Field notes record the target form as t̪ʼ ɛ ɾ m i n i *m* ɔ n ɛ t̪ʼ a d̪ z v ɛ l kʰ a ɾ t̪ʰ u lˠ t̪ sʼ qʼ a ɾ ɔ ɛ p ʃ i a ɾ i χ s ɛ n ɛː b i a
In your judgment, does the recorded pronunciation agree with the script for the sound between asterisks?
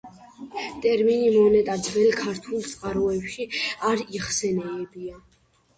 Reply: yes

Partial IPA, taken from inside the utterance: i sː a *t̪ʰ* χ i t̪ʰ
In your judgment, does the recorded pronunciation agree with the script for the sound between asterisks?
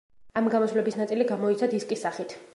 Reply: no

